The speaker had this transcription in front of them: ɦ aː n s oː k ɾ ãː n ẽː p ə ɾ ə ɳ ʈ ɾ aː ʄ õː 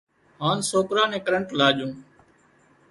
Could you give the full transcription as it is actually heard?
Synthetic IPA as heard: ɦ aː n s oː k ɾ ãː n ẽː k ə ɾ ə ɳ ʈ l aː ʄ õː